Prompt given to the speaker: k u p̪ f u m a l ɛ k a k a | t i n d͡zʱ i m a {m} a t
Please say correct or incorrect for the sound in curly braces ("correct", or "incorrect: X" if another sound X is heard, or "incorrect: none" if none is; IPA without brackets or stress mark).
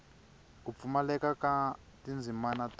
incorrect: n